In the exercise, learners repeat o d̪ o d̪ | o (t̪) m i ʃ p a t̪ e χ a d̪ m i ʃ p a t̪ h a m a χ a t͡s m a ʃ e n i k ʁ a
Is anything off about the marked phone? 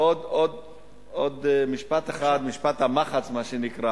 yes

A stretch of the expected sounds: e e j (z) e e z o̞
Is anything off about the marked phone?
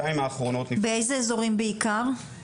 no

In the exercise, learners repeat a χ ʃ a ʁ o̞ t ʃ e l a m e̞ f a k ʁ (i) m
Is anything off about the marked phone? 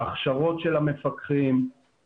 no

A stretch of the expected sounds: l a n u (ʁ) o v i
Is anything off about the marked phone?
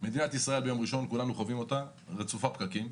yes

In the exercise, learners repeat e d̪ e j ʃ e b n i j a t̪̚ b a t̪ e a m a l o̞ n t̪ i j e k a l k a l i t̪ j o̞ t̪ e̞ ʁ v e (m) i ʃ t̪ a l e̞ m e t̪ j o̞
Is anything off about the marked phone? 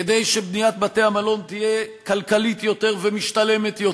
no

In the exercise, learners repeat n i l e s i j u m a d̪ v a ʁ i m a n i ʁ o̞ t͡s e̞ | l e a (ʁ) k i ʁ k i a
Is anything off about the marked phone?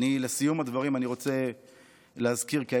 yes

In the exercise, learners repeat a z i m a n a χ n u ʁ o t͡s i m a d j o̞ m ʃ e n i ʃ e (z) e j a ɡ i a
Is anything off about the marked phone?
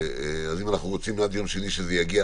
no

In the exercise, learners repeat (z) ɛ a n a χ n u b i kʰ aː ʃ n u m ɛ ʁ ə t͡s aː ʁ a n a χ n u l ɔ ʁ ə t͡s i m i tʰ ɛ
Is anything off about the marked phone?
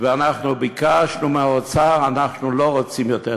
yes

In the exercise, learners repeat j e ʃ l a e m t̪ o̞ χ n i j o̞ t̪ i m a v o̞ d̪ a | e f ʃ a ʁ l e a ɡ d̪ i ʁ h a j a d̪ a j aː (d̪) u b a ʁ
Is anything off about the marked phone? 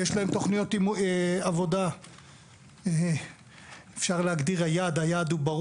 no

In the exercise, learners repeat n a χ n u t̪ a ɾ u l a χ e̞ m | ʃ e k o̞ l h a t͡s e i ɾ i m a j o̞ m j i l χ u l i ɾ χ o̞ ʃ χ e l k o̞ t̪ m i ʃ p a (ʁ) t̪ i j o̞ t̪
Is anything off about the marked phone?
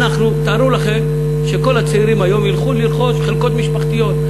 yes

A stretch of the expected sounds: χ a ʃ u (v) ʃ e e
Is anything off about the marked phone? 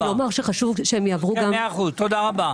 no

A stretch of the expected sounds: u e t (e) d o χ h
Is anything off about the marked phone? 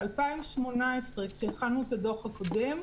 yes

